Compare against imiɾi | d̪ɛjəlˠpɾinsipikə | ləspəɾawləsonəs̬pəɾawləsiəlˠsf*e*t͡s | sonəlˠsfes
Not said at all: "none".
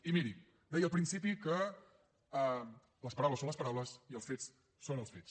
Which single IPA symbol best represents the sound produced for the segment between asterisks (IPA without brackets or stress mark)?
e